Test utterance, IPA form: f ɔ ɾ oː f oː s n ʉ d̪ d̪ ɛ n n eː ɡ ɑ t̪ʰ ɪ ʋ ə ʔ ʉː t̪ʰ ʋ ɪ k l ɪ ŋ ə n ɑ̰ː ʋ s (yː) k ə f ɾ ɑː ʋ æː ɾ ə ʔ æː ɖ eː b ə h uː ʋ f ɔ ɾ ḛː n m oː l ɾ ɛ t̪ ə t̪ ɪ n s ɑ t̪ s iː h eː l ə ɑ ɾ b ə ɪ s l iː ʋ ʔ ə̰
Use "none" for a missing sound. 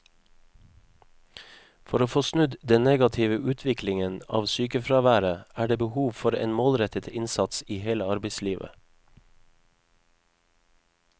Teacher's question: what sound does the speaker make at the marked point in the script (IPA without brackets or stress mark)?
yː